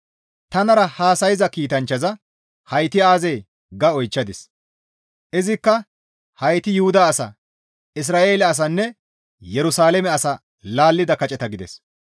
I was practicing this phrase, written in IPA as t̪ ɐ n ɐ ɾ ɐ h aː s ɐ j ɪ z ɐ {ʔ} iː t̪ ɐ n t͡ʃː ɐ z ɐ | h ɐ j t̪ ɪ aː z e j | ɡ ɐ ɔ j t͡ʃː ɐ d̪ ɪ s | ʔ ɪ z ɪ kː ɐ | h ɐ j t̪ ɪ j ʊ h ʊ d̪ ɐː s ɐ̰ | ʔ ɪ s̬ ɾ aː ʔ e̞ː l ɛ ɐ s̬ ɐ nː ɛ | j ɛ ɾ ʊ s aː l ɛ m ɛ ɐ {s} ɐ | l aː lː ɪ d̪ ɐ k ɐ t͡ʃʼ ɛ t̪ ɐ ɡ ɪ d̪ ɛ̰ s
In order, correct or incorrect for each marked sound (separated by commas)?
incorrect, correct